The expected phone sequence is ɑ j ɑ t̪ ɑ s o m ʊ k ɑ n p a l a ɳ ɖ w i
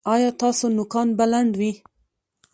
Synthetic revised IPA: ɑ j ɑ t̪ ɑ s o n ʊ k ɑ n b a l a ɳ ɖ w i